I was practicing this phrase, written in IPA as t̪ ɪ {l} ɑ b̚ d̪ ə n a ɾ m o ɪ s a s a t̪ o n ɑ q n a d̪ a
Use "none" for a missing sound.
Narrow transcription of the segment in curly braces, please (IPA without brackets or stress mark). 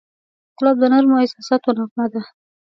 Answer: l